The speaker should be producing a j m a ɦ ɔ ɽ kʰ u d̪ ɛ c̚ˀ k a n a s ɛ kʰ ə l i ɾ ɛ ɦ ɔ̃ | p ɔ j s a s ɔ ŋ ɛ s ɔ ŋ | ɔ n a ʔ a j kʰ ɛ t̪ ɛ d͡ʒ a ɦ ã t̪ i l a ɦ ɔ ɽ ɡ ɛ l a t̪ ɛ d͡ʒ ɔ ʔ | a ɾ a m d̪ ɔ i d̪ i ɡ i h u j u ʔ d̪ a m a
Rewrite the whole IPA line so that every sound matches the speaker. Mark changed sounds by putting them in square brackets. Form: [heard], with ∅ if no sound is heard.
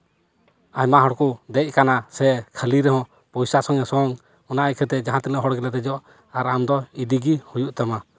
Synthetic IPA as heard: a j m a ɦ ɔ ɽ [k] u d̪ ɛ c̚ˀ k a n a s ɛ kʰ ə l i ɾ ɛ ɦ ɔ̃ | p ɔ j s a s ɔ ŋ ɛ s ɔ ŋ | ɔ n a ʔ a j kʰ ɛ t̪ ɛ d͡ʒ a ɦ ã t̪ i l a ɦ ɔ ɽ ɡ ɛ l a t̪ ɛ d͡ʒ ɔ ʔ | a ɾ a m d̪ ɔ i d̪ i ɡ i h u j u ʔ [t̪] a m a